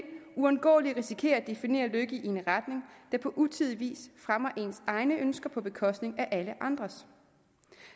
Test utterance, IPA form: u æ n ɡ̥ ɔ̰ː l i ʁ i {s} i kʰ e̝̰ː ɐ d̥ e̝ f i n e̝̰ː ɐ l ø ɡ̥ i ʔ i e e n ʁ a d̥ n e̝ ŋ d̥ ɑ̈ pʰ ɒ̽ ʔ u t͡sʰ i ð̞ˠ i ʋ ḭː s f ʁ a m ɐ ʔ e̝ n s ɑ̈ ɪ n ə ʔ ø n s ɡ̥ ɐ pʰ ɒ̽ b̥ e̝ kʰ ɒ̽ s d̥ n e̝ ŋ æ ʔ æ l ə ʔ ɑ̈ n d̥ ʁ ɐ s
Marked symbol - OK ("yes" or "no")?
yes